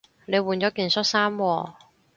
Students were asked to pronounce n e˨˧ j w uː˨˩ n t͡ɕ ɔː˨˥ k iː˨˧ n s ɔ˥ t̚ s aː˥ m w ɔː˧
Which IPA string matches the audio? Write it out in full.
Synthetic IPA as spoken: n e˨˧ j w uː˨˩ n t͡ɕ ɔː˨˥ k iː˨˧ n s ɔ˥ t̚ s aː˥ m w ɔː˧